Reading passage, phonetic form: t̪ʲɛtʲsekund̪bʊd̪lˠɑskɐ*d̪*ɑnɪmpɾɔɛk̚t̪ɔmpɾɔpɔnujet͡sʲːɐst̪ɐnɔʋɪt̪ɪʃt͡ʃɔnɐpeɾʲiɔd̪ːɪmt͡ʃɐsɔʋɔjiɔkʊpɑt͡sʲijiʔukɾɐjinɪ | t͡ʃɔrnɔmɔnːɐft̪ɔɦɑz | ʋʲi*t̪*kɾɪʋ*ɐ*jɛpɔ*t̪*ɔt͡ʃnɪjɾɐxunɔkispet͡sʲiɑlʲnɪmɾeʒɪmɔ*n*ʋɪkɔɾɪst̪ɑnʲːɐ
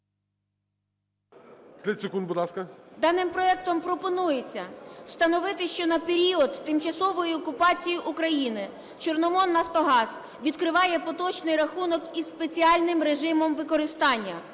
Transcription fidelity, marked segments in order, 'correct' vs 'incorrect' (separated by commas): correct, incorrect, incorrect, correct, incorrect